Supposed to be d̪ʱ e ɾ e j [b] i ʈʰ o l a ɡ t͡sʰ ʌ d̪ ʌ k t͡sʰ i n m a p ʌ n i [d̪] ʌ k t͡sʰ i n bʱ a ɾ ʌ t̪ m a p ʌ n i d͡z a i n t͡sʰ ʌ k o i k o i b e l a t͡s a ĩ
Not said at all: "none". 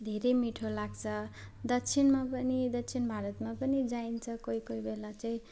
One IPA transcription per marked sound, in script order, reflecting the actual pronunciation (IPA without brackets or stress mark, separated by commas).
m, d̪